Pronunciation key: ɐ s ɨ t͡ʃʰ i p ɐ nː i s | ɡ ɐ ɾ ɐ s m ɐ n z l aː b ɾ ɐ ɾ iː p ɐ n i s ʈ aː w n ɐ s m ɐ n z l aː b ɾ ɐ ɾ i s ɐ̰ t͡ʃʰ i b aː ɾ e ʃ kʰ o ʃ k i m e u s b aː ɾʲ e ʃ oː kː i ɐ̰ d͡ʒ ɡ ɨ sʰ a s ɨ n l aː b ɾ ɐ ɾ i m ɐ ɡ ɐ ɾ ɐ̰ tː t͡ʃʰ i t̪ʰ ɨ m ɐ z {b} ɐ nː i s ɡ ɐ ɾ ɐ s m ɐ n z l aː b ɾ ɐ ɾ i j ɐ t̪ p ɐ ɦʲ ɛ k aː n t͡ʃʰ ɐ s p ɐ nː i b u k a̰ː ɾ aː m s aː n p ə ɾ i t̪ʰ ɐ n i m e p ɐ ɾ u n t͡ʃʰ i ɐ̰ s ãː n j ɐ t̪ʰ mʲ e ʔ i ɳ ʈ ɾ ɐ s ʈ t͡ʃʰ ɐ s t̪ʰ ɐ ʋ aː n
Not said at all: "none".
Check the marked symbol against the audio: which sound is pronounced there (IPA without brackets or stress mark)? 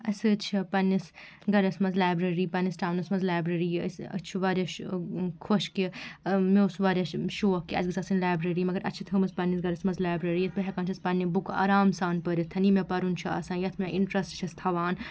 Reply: p